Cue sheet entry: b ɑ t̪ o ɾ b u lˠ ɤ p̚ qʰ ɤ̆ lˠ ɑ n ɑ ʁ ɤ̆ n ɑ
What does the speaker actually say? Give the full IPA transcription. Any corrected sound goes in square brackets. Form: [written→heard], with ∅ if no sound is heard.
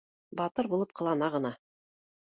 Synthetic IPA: b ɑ t̪ [o→ɤ] ɾ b u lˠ ɤ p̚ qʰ ɤ̆ lˠ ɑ n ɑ ʁ ɤ̆ n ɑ